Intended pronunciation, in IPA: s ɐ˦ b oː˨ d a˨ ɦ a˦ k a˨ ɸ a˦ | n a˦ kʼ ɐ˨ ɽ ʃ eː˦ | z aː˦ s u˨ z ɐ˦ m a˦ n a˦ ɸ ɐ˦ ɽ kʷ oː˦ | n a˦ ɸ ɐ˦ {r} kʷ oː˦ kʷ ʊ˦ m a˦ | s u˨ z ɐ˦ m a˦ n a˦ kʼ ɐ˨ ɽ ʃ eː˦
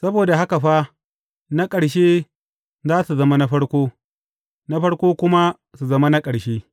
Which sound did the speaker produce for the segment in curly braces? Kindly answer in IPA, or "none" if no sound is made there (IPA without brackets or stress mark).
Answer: ɽ